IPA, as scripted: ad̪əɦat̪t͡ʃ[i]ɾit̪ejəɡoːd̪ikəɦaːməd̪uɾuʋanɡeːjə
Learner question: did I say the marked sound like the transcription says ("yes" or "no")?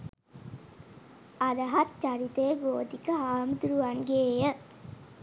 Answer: no